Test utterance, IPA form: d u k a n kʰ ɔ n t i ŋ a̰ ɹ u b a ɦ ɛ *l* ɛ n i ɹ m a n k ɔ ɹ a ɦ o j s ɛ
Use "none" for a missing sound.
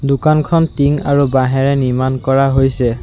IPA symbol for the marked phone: ɹ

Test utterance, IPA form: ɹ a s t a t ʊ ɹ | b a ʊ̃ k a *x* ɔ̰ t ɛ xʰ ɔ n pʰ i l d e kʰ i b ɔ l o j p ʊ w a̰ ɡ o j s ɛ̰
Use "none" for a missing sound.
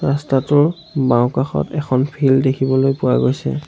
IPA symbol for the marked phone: x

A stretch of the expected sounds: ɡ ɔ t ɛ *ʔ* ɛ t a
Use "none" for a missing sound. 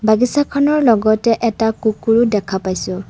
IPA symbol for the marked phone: ʔ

